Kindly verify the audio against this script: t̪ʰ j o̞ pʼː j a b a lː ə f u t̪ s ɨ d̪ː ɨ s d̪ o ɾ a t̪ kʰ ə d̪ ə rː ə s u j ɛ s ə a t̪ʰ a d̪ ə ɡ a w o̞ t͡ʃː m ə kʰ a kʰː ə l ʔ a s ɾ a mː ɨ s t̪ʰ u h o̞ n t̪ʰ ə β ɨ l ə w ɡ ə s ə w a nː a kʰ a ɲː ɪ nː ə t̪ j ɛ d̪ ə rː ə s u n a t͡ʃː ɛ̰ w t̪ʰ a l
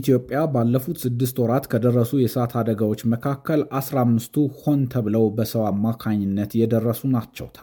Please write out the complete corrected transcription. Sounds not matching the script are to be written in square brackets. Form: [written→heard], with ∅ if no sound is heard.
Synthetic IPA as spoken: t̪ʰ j o̞ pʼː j a b a lː ə f u t̪ s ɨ d̪ː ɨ s [d̪→t̪] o ɾ a t̪ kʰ ə d̪ ə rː ə s u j ɛ s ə a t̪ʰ a d̪ ə ɡ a w o̞ t͡ʃː m ə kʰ a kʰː ə l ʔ a s ɾ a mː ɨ s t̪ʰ u h o̞ n t̪ʰ ə β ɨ l ə w [ɡ→b] ə s ə w a [nː→mː] a kʰ a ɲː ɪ nː ə t̪ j ɛ d̪ ə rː ə s u n a t͡ʃː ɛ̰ w t̪ʰ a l